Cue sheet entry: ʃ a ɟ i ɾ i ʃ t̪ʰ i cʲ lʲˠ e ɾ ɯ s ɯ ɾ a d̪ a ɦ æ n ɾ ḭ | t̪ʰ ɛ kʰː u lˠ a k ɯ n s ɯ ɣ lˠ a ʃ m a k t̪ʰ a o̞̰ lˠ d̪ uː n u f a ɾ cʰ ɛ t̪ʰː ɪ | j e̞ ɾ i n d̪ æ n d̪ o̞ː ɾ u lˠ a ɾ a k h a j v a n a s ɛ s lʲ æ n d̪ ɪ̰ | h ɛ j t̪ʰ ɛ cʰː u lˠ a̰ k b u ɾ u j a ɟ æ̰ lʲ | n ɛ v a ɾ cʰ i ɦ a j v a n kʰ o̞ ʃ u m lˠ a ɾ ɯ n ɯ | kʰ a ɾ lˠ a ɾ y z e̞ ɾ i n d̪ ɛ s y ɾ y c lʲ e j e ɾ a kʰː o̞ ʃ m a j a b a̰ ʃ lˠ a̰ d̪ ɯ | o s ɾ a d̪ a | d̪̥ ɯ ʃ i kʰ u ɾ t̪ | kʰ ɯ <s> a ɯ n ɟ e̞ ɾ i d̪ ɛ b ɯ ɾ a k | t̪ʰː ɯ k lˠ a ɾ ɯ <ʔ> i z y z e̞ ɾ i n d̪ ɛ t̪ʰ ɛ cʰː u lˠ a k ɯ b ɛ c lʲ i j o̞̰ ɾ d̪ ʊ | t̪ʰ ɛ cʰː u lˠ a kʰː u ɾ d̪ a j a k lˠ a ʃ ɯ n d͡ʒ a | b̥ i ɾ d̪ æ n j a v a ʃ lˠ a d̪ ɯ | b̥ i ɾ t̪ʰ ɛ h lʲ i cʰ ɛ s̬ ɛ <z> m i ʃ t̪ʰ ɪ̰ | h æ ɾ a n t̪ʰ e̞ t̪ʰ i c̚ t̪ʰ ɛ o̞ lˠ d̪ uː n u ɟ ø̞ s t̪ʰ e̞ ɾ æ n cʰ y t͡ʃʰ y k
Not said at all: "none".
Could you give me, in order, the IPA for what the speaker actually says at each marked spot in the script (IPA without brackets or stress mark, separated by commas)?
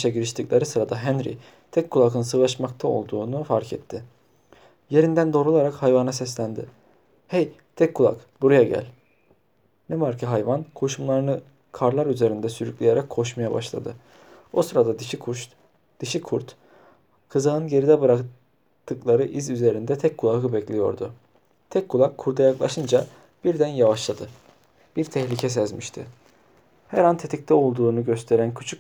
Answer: z, ʔ, z